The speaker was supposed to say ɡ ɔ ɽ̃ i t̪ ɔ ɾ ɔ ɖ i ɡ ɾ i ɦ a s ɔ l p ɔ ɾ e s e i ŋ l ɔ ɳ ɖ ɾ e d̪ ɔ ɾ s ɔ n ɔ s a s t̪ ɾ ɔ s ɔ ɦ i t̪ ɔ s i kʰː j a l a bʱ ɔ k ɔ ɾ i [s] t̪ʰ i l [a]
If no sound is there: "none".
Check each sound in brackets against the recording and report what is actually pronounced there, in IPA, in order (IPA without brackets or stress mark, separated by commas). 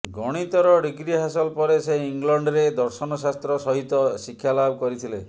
none, e